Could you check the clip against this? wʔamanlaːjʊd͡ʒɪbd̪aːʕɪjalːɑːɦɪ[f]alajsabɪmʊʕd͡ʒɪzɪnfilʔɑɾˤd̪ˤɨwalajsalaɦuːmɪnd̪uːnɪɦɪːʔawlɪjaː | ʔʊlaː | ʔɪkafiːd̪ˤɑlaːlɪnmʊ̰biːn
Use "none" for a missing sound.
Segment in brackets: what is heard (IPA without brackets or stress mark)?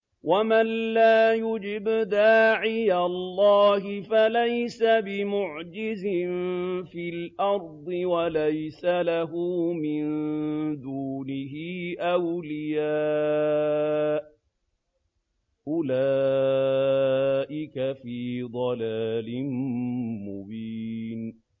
f